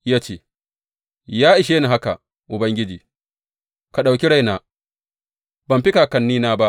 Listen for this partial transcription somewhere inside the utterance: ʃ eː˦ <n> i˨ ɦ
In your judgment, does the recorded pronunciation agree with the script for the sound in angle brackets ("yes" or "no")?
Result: yes